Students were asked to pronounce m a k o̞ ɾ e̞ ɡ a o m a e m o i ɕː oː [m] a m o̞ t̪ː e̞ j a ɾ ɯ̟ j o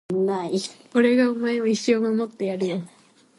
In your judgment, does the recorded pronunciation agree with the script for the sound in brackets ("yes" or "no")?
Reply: yes